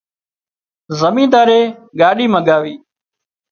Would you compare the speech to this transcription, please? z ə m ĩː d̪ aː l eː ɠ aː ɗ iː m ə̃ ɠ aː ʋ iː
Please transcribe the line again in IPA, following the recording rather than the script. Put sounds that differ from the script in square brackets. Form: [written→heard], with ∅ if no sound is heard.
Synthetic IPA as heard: z ə m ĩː d̪ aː [l→ɾ] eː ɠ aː ɗ iː m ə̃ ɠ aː ʋ iː